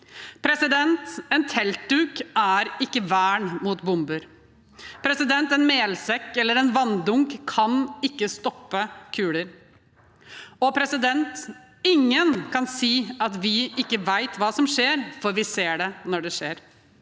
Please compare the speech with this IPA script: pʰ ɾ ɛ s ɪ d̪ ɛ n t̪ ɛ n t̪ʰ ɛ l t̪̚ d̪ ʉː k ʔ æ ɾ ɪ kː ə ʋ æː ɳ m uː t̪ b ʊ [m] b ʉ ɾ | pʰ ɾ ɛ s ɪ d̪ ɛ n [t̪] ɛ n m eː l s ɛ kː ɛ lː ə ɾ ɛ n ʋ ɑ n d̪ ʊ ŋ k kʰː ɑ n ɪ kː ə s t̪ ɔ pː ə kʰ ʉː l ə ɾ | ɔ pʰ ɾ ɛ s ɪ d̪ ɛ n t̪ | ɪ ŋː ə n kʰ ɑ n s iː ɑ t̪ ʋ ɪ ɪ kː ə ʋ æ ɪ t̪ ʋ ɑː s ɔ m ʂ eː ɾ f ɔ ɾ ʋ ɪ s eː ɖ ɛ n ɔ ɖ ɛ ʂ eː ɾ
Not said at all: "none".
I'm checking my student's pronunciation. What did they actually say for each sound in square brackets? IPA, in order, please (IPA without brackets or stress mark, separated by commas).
m, t̪